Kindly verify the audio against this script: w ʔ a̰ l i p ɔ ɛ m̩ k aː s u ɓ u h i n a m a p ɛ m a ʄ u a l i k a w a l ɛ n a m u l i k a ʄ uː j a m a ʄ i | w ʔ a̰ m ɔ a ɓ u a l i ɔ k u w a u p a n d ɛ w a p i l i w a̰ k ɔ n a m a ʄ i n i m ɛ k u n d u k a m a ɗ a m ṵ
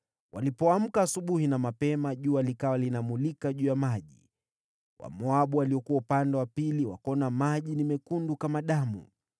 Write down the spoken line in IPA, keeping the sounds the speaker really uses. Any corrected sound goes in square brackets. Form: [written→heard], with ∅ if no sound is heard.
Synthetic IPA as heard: w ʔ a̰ l i p ɔ [ɛ→a] m̩ k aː s u ɓ u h i n a m a p ɛ m a ʄ u a l i k a w a l [ɛ→i] n a m u l i k a ʄ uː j a m a ʄ i | w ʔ a̰ m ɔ a ɓ u a l i ɔ k u w a u p a n d ɛ w a p i l i w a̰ k ɔ n a m a ʄ i n i m ɛ k u n d u k a m a ɗ a m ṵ